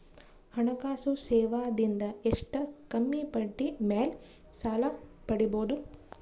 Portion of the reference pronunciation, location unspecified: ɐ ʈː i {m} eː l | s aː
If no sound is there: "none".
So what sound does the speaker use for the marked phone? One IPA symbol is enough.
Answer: m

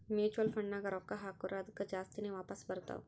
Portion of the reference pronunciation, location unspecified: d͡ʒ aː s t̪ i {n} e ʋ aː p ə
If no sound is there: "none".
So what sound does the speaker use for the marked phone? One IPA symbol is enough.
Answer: n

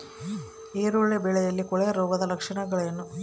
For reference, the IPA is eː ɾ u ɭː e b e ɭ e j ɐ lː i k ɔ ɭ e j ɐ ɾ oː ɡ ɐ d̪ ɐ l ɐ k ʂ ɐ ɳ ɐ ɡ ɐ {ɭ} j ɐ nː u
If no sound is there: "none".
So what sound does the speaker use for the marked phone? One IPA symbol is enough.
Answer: ɭ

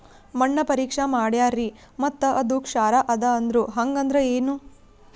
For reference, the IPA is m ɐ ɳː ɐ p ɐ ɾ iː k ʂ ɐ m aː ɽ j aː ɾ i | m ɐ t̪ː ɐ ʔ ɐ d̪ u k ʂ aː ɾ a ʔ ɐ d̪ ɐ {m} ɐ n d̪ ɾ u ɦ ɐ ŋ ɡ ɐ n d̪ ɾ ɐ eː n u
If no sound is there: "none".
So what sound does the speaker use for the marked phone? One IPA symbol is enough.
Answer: none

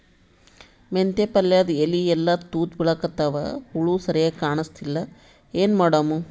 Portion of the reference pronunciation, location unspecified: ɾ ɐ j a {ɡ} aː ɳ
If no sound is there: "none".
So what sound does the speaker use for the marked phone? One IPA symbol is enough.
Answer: k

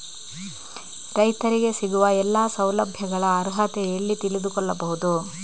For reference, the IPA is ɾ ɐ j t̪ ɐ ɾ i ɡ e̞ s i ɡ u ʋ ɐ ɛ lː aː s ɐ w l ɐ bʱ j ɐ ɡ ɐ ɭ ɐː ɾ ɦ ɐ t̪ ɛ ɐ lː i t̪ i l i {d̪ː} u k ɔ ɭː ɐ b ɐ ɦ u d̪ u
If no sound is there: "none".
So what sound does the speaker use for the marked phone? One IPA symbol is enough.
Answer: d̪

